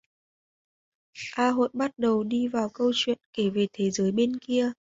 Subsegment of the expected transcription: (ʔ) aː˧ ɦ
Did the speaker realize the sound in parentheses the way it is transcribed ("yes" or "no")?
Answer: yes